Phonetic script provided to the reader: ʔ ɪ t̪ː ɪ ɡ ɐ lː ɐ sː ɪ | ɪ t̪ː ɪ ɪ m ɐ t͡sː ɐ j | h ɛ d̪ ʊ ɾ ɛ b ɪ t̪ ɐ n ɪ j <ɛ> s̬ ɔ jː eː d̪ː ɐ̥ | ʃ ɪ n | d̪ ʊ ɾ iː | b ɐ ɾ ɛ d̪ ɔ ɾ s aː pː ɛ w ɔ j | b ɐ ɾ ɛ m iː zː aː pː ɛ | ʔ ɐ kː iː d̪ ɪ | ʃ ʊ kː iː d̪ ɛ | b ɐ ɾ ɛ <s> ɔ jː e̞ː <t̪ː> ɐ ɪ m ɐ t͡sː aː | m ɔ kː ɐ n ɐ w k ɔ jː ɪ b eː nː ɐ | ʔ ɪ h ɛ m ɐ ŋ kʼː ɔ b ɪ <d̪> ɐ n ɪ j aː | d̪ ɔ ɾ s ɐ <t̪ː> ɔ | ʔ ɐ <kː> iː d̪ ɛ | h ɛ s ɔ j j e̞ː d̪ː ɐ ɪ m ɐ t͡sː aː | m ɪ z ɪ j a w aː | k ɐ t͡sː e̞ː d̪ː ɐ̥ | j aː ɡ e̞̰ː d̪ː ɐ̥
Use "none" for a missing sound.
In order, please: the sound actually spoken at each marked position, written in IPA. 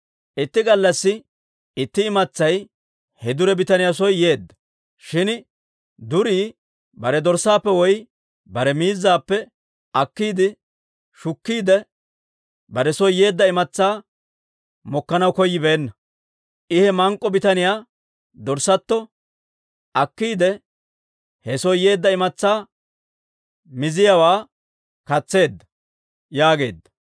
a, s, d̪ː, t̪, t̪ː, kː

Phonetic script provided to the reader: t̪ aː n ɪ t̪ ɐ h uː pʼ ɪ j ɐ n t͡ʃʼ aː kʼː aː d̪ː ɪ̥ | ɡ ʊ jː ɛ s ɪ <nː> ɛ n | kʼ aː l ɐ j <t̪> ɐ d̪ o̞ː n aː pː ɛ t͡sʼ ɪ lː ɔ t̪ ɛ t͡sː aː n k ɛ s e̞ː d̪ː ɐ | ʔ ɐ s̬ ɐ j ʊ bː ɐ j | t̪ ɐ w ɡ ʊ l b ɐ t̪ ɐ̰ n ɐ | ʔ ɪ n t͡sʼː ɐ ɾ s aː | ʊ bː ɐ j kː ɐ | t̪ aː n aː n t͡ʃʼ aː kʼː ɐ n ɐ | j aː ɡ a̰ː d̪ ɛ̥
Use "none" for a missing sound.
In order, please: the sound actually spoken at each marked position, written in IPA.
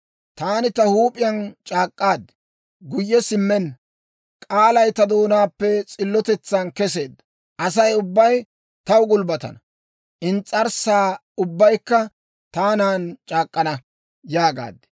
mː, t̪

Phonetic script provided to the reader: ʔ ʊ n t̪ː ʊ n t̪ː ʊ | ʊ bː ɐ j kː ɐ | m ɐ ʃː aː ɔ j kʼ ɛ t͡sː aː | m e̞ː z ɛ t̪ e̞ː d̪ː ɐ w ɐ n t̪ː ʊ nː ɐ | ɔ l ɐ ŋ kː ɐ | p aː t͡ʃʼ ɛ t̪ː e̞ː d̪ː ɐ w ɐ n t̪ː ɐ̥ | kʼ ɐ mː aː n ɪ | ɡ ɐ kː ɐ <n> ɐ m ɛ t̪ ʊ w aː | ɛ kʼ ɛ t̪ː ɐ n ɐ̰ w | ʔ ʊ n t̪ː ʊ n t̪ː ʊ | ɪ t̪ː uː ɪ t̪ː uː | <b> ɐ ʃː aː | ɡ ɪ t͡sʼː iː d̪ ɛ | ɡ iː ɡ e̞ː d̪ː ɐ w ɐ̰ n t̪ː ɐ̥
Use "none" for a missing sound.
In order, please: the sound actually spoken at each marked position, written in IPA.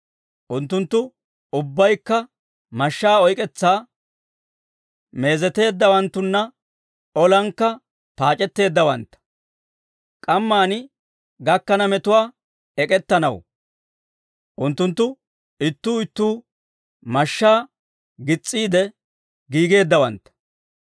n, m

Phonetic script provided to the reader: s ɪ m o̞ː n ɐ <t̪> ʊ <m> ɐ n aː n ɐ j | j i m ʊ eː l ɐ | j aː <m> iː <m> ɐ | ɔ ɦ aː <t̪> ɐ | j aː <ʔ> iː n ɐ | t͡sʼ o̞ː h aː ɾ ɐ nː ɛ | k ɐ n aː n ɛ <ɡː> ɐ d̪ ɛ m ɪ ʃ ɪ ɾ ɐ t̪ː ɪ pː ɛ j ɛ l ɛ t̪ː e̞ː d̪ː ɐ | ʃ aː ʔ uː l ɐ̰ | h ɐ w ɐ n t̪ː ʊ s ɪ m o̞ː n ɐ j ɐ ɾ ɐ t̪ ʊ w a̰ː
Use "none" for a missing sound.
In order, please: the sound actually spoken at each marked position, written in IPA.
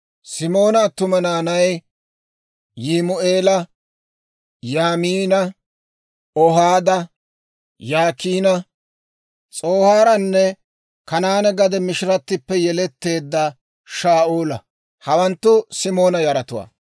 t̪, m, m, n, d̪, k, ɡ

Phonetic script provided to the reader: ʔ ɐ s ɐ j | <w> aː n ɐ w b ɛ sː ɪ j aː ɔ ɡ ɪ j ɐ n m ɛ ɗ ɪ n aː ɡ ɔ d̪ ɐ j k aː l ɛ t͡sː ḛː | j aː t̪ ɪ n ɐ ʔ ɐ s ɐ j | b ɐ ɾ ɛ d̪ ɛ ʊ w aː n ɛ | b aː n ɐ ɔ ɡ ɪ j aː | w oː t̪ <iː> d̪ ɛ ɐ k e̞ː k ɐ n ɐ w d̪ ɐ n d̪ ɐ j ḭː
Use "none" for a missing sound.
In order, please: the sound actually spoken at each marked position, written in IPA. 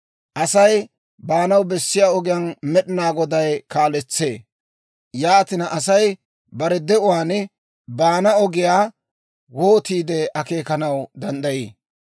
b, iː

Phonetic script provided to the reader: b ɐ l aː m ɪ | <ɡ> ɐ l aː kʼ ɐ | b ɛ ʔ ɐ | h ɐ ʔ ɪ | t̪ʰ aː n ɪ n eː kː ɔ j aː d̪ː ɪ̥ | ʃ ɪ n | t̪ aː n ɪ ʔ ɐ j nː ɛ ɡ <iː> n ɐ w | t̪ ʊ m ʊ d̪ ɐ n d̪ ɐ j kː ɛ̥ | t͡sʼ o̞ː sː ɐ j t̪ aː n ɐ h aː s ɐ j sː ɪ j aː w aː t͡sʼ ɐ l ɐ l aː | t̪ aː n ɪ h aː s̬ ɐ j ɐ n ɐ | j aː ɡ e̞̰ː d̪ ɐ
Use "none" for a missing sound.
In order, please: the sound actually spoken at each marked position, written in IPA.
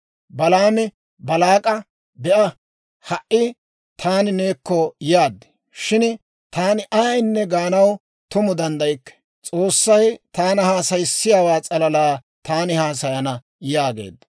b, aː

